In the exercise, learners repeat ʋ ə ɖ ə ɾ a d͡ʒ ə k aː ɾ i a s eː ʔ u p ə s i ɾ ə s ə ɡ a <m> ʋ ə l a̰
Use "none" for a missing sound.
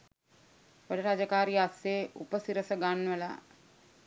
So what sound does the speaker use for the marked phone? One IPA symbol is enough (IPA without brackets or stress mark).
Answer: n